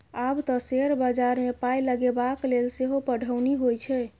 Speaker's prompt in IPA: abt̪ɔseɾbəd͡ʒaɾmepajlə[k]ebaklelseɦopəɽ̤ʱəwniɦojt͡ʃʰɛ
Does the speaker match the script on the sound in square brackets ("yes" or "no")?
no